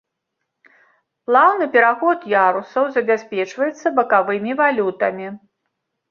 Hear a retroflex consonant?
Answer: yes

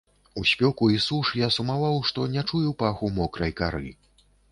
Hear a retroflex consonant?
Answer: yes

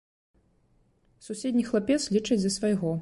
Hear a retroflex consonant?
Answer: yes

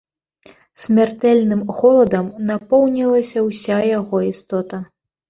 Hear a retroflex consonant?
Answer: no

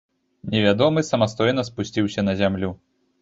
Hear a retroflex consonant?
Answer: no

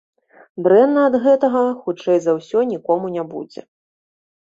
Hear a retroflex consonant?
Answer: yes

